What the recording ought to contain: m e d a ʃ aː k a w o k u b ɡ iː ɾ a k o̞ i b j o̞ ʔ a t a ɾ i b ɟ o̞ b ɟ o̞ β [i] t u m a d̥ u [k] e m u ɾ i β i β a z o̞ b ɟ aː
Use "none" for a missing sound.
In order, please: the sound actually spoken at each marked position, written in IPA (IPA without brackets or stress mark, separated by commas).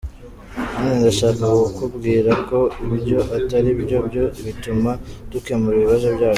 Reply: i, k